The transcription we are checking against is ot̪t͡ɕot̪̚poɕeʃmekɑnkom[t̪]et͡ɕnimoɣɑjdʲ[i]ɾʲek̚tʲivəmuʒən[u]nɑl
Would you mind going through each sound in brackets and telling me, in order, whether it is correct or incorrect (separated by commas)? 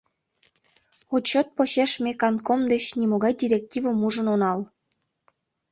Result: incorrect, correct, incorrect